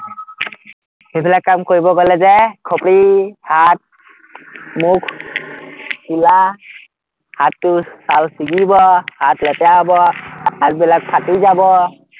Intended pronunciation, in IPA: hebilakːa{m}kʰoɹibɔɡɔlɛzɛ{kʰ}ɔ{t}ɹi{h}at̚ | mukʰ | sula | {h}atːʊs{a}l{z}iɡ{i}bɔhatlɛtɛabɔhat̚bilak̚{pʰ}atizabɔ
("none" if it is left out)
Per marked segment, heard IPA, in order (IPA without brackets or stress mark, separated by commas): m, kʰ, p, h, h, a, s, i, pʰ